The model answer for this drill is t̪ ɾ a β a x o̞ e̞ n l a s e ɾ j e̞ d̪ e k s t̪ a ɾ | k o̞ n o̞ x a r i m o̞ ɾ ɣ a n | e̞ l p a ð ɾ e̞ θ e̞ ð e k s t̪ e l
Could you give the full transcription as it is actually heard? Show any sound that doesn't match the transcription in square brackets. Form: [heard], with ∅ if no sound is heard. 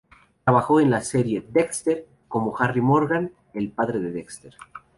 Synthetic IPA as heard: t̪ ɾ a β a x o̞ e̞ n l a s e ɾ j e̞ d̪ e k s t̪ [e] ɾ | k o̞ [m] o̞ x a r i m o̞ ɾ ɣ a n | e̞ l p a ð ɾ e̞ [ð] e̞ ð e k s t̪ e [ɾ]